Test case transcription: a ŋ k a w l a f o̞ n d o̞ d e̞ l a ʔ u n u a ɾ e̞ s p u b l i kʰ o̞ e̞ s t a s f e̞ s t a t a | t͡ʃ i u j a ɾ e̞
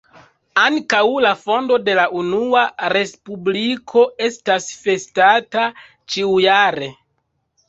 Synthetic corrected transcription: a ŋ k a w l a f o̞ n d o̞ d e̞ l a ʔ u n u a ɾ e̞ s p u b l i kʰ o̞ e̞ s t a s f e̞ s t a t a | t͡ʃ i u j a ɾ e̞

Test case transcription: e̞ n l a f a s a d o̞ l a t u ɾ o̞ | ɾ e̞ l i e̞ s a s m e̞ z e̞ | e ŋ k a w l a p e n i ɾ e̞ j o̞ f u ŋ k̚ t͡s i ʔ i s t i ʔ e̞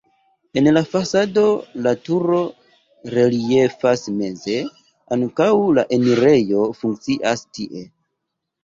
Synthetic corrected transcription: e̞ n l a f a s a d o̞ l a t u ɾ o̞ | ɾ e̞ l i e̞ f a s m e̞ z e̞ | a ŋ k a w l a ʔ e n i ɾ e̞ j o̞ f u ŋ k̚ t͡s i ʔ a s t i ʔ e̞

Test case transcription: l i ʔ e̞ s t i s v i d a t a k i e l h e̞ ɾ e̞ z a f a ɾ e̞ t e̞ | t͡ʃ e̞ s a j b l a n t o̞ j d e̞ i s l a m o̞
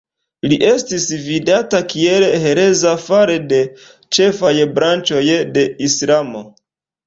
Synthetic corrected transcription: l i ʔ e̞ s t i s v i d a t a k i e l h e̞ ɾ e̞ z a f a ɾ e̞ d e̞ | t͡ʃ e̞ f a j b ɾ a n t͡ʃ o̞ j d e̞ i s l a m o̞

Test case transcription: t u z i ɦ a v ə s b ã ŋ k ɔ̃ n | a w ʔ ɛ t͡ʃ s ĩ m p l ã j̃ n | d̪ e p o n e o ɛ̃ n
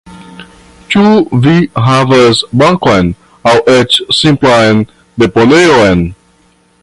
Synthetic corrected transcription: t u v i ɦ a v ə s b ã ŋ k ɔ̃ n | a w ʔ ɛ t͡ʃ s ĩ m p l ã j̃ n | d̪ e p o n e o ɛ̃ n

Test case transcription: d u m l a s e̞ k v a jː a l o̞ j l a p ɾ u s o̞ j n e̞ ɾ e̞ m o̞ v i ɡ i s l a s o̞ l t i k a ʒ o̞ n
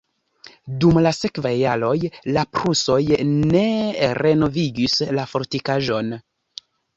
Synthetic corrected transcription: d u m l a s e̞ k v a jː a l o̞ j l a p ɾ u s o̞ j n e̞ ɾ e̞ n o̞ v i ɡ i s l a f o̞ ɾ t i k a ʒ o̞ n

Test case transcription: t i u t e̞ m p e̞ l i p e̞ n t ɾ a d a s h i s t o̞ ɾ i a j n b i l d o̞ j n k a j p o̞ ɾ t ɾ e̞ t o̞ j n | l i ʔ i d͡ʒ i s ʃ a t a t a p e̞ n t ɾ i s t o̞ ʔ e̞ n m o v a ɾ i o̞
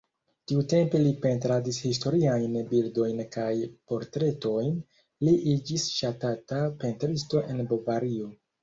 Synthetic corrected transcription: t i u t e̞ m p e̞ l i p e̞ n t ɾ a d i s h i s t o̞ ɾ i a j n b i l d o̞ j n k a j p o̞ ɾ t ɾ e̞ t o̞ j n | l i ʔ i d͡ʒ i s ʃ a t a t a p e̞ n t ɾ i s t o̞ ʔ e̞ n b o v a ɾ i o̞

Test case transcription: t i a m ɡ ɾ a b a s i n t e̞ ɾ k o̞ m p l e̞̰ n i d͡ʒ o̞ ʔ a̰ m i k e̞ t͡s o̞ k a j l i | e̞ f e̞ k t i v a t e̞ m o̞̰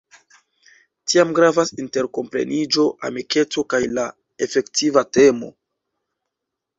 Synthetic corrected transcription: t i a m ɡ ɾ a v a s i n t e̞ ɾ k o̞ m p ɾ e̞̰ n i d͡ʒ o̞ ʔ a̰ m i k e̞ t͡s o̞ k a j l a | e̞ f e̞ k t i v a t e̞ m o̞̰

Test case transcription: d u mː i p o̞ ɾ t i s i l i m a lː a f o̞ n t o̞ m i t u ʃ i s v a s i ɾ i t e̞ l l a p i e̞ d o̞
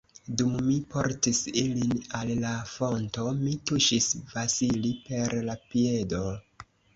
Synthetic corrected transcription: d u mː i p o̞ ɾ t i s i l i n a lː a f o̞ n t o̞ m i t u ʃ i s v a s i l i p e̞ ɾ l a p i e̞ d o̞

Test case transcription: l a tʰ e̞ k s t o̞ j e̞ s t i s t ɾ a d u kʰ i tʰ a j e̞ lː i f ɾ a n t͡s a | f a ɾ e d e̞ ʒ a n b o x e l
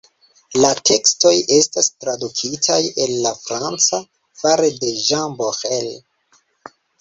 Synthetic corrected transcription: l a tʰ e̞ k s t o̞ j e̞ s t a s t ɾ a d u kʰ i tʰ a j e̞ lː a f ɾ a n t͡s a | f a ɾ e d e̞ ʒ a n b o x e l

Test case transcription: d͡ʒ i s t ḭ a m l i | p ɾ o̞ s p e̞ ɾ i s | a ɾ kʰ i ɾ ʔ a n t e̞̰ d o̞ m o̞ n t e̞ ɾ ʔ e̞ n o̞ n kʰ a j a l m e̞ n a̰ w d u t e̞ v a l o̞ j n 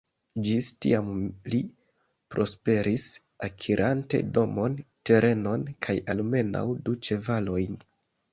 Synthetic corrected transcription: d͡ʒ i s t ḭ a m l i | p ɾ o̞ s p e̞ ɾ i s | a kʰ i ɾ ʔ a n t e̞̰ d o̞ m o̞ n t e̞ ɾ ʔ e̞ n o̞ n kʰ a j a l m e̞ n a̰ w d u t͡ʃ e̞ v a l o̞ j n

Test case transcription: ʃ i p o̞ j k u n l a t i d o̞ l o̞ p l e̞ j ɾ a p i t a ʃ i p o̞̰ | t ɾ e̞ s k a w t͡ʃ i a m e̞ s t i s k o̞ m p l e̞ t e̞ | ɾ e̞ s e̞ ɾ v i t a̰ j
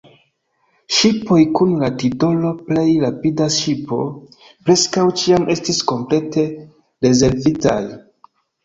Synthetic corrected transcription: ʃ i p o̞ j k u n l a t i d o̞ l o̞ p l e̞ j ɾ a p i d a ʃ i p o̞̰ | p ɾ e̞ s k a w t͡ʃ i a m e̞ s t i s k o̞ m p l e̞ t e̞ | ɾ e̞ z e̞ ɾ v i t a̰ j

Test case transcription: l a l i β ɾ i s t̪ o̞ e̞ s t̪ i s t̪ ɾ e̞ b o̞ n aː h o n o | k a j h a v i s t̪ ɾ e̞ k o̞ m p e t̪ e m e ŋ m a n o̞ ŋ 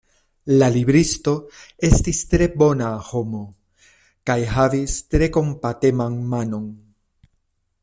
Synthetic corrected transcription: l a l i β ɾ i s t̪ o̞ e̞ s t̪ i s t̪ ɾ e̞ b o̞ n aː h o m o | k a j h a v i s t̪ ɾ e̞ k o̞ m p a t̪ e m a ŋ m a n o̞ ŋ

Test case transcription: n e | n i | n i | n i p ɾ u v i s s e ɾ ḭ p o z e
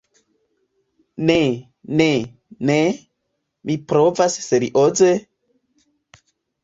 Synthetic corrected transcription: n e | n e | n e | m i p ɾ o v a s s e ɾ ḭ ʔ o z e

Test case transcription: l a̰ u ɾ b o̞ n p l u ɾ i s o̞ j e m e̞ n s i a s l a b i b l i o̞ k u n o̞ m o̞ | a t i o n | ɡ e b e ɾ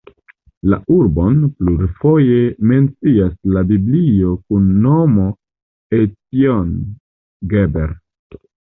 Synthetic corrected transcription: l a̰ u ɾ b o̞ n p l u ɾ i f o̞ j e m e̞ n t͡s i a s l a b i b l i o̞ k u nː o̞ m o̞ | e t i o n | ɡ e b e ɾ

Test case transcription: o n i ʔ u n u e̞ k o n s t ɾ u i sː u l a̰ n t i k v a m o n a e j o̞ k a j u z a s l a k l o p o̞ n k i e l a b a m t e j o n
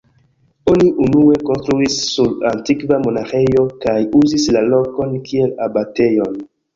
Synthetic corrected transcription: o n i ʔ u n u e̞ k o n s t ɾ u i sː u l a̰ n t i k v a m o n a e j o̞ k a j u z i s l a l o k o̞ n k i e l a b a t e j o n

